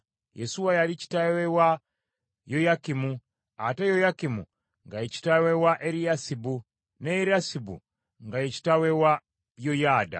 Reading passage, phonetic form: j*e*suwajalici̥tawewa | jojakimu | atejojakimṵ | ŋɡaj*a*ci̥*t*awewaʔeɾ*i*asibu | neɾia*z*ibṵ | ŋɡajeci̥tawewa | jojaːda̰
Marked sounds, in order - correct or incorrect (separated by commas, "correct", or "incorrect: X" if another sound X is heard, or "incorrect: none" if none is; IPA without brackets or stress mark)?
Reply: correct, incorrect: e, correct, correct, incorrect: s